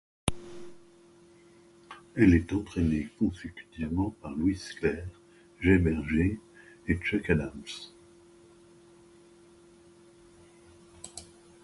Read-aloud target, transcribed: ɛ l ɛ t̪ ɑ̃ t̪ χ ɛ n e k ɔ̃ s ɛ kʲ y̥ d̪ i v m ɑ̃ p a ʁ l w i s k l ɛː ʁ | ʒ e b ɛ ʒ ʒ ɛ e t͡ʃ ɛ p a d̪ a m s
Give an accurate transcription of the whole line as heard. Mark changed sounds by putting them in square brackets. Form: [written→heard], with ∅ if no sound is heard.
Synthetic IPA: ɛ l ɛ t̪ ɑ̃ t̪ χ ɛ n e k ɔ̃ s [ɛ→e] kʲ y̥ [d̪→t̪] i v m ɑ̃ p a ʁ l w i s k l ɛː ʁ | ʒ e b ɛ [ʒ→ʁ] ʒ [ɛ→e] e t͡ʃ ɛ [p→k] a d̪ a m s